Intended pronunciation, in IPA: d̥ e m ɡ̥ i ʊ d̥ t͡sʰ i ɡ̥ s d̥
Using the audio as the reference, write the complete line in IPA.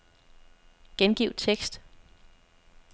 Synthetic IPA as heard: ɡ̥ e n ɡ̥ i ʊ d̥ t͡sʰ e ɡ̥ s d̥